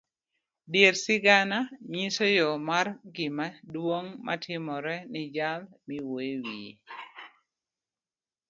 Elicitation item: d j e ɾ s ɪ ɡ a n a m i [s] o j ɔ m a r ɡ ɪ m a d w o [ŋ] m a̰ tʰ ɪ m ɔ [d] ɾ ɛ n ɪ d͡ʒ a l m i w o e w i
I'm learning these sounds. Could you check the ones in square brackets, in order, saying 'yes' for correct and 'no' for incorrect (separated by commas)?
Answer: yes, yes, no